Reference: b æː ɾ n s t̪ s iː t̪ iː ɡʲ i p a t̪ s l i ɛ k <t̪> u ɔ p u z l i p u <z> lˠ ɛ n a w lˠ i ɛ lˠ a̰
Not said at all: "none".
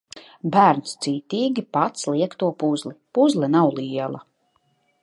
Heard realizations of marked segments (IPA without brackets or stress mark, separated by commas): t̪, z